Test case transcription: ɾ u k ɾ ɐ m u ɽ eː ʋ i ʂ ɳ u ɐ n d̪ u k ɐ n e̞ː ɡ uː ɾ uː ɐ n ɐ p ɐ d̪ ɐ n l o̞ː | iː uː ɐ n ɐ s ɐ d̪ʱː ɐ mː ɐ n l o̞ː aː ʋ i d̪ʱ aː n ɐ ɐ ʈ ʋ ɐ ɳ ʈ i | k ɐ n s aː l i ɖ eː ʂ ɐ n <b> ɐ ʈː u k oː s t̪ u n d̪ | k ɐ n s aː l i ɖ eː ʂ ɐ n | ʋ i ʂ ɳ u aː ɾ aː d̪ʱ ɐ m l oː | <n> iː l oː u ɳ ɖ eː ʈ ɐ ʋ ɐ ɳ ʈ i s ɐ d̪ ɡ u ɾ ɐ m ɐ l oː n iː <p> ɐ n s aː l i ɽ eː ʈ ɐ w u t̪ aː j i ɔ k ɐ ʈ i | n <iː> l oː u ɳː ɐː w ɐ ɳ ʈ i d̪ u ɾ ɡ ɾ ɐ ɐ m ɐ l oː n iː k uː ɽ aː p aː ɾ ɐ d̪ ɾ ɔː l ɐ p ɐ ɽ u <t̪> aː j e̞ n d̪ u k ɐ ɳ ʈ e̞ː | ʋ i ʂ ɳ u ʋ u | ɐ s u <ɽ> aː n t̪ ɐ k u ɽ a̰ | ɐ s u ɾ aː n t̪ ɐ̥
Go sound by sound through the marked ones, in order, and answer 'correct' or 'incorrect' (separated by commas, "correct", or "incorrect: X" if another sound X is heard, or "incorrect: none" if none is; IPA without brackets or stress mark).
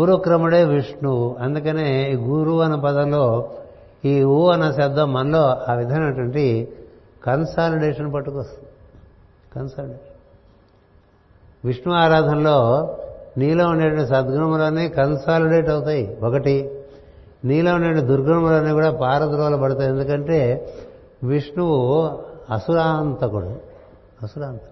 incorrect: p, correct, incorrect: k, correct, correct, incorrect: ɾ